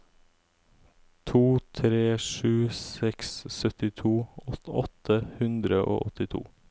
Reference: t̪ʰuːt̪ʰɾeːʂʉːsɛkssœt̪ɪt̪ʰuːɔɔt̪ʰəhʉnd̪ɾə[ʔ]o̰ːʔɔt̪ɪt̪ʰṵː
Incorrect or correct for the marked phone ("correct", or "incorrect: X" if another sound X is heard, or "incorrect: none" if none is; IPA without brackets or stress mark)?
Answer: correct